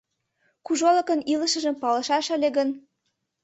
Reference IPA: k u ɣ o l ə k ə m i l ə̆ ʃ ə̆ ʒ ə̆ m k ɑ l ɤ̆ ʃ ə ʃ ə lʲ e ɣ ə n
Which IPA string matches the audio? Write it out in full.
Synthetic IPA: k u ʒ o l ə k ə n i l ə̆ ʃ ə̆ ʒ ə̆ m p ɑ l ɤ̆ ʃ ɑ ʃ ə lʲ e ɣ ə n